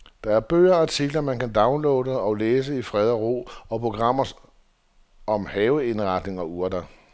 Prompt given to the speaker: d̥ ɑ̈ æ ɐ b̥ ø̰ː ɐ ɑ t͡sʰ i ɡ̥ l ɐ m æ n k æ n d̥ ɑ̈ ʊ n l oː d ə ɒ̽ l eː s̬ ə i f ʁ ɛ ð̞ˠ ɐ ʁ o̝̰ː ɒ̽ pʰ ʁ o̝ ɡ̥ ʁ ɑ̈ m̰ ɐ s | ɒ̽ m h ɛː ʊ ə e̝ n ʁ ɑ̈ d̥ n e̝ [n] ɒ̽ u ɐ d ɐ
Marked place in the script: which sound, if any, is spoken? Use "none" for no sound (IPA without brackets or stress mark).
ŋ